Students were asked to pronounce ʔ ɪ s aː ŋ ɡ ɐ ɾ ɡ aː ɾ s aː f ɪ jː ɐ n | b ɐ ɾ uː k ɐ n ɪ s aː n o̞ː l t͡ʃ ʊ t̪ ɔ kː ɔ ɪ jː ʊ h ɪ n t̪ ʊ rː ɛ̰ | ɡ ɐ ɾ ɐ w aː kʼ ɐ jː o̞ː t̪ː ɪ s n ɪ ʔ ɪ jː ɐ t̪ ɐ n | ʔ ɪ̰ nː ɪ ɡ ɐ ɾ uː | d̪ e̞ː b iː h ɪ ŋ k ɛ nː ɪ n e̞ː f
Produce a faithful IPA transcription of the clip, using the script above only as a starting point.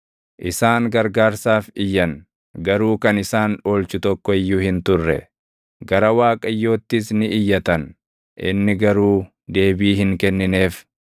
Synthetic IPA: ʔ ɪ s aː ŋ ɡ ɐ ɾ ɡ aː ɾ s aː f ɪ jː ɐ n | ɡ ɐ ɾ uː k ɐ n ɪ s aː n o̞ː l t͡ʃ ʊ t̪ ɔ kː ɔ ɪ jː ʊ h ɪ n t̪ ʊ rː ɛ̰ | ɡ ɐ ɾ ɐ w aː kʼ ɐ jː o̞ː t̪ː ɪ s n ɪ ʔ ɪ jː ɐ t̪ ɐ n | ʔ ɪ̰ nː ɪ ɡ ɐ ɾ uː | d̪ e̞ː b iː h ɪ ŋ k ɛ nː ɪ n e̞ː f